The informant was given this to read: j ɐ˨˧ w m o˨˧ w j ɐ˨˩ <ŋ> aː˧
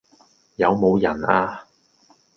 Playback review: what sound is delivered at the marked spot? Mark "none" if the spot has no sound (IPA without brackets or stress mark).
n